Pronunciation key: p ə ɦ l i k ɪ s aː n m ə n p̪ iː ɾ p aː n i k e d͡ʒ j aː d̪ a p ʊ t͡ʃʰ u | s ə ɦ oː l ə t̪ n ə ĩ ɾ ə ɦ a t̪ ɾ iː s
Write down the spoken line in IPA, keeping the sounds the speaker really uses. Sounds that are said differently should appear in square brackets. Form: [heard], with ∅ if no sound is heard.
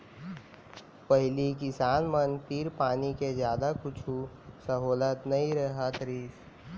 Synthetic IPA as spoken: p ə ɦ l i k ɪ s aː n m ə n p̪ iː ɾ p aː n i k e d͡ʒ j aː d̪ a [k] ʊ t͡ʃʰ u | s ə ɦ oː l ə t̪ n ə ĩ ɾ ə ɦ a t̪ ɾ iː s